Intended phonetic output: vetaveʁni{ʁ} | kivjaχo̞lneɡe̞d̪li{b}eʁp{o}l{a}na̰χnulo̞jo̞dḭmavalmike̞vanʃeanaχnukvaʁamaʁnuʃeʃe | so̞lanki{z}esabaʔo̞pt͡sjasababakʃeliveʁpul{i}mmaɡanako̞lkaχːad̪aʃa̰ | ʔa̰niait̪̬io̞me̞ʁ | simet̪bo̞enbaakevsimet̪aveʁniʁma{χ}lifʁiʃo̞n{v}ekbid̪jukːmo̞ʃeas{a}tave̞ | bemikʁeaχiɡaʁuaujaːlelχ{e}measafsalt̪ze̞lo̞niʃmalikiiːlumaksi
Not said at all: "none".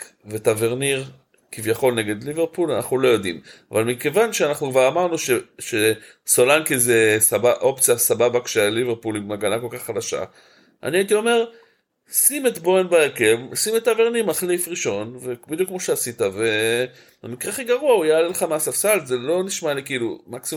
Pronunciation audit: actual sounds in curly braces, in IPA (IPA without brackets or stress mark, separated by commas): ʁ, v, u, a, z, i, χ, v, i, a